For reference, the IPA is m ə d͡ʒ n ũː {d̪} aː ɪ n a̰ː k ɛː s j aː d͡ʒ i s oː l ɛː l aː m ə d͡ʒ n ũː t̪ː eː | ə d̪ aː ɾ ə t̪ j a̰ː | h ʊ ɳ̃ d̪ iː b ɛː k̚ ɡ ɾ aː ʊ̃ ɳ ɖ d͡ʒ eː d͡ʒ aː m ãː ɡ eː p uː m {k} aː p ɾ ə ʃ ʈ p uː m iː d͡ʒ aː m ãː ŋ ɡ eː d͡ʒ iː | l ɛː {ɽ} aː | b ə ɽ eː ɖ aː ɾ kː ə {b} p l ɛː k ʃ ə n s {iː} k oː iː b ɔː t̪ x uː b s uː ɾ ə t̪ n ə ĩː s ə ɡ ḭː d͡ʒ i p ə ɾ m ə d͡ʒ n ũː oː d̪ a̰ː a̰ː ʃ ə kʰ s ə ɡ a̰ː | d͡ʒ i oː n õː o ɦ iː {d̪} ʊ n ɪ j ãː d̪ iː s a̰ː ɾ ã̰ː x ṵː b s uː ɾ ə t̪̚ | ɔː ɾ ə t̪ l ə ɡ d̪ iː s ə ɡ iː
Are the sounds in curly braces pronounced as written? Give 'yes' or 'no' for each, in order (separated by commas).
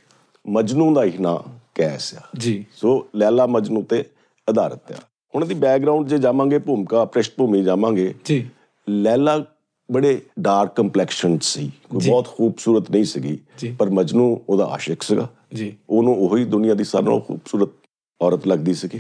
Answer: yes, yes, no, no, yes, yes